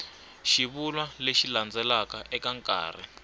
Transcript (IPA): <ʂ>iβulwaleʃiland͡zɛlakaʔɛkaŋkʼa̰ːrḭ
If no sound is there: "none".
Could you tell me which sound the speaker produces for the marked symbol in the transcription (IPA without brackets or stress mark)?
ʃ